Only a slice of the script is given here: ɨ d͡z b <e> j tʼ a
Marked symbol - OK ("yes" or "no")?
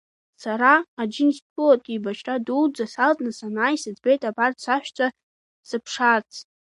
yes